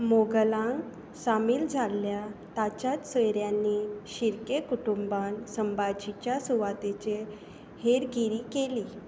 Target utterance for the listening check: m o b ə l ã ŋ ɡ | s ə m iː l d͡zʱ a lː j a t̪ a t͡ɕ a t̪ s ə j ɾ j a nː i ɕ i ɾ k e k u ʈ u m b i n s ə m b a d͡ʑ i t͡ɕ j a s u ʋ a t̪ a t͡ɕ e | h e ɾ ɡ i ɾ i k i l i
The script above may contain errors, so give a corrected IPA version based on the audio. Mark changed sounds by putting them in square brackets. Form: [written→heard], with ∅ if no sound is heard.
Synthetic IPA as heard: m o [b→ɡ] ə l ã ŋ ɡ | s [ə→a] m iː l d͡zʱ a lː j a t̪ a t͡ɕ a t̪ s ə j ɾ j a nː i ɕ i ɾ k e k u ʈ u m b [i→a] n s ə m b a d͡ʑ i t͡ɕ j a s u ʋ a t̪ [a→e] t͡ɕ e | h e ɾ ɡ i ɾ i k [i→e] l i